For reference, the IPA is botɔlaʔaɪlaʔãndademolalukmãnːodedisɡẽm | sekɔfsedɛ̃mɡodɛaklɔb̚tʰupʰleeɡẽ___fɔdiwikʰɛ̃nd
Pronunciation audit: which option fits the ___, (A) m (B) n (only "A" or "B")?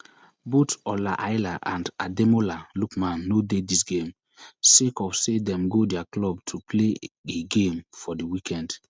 A